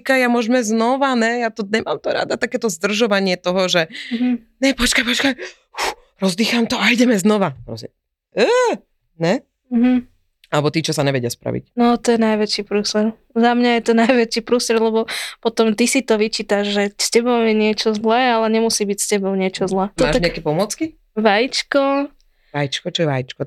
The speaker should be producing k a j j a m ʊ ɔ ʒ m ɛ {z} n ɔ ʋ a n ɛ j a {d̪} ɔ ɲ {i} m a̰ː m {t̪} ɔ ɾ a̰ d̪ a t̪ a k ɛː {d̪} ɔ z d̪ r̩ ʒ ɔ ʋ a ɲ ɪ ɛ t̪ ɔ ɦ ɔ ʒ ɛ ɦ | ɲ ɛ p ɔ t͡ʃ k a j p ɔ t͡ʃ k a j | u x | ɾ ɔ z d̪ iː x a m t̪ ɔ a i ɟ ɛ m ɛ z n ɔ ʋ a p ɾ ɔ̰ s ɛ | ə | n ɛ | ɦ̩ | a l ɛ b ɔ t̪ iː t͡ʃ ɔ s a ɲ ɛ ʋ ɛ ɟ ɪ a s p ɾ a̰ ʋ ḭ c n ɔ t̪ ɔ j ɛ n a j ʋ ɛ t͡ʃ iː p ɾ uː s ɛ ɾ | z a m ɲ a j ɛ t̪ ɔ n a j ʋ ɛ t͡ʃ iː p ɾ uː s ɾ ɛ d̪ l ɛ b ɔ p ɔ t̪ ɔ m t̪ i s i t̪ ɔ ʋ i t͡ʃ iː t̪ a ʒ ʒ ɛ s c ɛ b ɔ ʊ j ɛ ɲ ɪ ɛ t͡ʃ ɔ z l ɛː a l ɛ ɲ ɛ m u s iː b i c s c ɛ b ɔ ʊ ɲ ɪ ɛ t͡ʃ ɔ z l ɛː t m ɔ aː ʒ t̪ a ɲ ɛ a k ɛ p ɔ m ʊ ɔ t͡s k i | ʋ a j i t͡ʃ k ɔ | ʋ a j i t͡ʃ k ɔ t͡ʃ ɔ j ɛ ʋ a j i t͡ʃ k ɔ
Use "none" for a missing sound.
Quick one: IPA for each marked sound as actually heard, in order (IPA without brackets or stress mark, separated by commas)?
z, t̪, ɛ, t̪, t̪